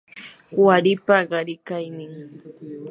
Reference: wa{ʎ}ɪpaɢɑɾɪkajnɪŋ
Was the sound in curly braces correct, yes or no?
no